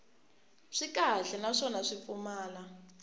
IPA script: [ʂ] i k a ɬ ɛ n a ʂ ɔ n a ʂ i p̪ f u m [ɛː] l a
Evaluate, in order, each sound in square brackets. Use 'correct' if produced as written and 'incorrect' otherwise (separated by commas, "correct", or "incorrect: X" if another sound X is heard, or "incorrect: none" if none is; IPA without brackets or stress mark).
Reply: correct, incorrect: aː